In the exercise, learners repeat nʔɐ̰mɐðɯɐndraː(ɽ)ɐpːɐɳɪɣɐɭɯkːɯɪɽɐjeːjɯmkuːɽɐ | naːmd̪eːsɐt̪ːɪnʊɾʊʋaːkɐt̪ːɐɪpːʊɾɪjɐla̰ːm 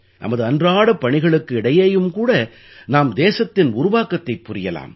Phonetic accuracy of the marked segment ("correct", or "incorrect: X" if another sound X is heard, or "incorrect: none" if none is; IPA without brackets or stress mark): correct